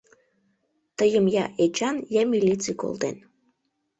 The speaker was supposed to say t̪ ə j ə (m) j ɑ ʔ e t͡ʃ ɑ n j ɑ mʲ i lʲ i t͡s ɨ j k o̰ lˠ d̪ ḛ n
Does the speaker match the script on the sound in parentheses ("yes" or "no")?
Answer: yes